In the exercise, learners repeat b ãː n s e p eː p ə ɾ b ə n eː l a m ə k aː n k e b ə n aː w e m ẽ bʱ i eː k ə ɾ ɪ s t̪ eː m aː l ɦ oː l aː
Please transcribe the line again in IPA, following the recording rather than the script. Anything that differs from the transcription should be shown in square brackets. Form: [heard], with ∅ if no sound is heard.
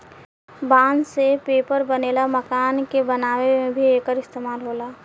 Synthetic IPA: b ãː n s e p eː p ə ɾ b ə n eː l a m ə k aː n k e b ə n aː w e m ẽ bʱ i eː k ə ɾ ɪ s t̪ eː m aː l ɦ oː l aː